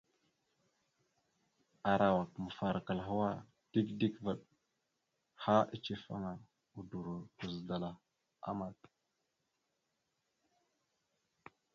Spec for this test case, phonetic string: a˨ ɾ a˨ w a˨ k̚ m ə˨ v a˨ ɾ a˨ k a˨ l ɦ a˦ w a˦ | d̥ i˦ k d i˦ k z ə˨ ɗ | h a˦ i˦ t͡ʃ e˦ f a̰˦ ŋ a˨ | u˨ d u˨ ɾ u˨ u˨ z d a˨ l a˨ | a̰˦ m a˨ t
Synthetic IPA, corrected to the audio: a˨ ɾ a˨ w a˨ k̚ m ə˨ f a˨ ɾ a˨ k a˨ l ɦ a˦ w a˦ | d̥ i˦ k d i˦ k v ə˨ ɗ | h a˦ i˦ t͡ʃ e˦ f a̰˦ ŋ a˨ | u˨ d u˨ ɾ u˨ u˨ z d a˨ l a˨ | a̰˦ m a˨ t